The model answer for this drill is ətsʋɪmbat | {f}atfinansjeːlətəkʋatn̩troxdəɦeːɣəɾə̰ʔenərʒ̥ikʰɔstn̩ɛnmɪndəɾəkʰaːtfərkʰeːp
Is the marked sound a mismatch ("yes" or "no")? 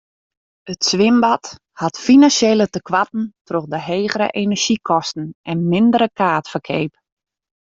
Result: yes